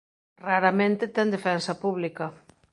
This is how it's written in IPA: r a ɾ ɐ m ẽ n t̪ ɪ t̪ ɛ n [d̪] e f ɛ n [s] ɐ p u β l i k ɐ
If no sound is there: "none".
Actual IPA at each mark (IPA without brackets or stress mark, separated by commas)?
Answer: d̪, s